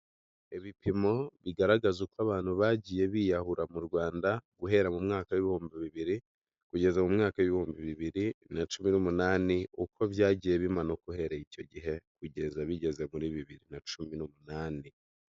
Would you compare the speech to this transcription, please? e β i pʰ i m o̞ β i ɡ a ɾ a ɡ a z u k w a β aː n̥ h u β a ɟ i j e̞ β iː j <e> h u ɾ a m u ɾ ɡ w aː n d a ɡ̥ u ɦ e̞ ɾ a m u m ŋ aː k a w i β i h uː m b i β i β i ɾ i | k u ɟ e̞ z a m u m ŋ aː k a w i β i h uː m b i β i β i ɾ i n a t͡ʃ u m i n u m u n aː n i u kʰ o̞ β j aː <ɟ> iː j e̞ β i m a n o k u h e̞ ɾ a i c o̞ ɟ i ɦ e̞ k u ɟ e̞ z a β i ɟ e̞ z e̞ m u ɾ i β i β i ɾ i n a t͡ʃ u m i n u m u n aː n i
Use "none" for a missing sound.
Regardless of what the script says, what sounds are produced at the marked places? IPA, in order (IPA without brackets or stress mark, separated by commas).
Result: a, ɟ